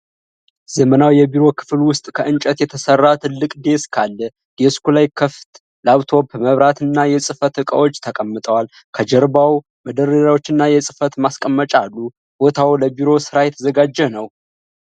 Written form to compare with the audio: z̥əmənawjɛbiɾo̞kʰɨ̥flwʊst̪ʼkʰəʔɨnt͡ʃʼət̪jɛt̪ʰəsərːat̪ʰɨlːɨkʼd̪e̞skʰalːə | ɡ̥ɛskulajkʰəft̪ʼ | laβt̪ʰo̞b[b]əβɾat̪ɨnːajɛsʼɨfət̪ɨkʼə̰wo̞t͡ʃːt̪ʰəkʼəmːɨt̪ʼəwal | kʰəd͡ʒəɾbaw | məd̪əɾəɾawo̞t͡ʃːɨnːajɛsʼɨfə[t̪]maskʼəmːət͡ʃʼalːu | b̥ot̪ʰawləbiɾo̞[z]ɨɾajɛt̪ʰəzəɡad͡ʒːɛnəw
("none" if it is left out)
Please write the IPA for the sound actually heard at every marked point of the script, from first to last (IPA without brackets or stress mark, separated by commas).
m, t̪, s